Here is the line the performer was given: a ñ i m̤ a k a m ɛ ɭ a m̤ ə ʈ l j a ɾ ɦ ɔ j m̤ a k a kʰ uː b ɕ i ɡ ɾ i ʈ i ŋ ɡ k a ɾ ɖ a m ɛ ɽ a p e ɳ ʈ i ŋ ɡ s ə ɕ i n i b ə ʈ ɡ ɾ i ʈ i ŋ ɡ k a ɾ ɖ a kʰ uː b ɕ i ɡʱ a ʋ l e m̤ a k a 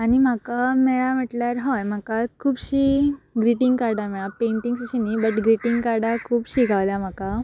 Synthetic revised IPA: a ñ i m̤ a k a m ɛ ɭ a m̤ ə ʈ l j a ɾ ɦ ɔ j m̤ a k a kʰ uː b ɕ i ɡ ɾ i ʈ i ŋ ɡ k a ɾ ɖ a m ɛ ɭ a p e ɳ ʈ i ŋ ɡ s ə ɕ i n i b ə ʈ ɡ ɾ i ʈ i ŋ ɡ k a ɾ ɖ a kʰ uː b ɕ i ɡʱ a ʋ l a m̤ a k a